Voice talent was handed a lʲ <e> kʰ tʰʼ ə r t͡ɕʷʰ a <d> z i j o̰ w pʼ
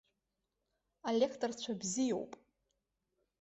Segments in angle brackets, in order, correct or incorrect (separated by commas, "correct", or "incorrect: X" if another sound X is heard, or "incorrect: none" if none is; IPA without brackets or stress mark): correct, incorrect: b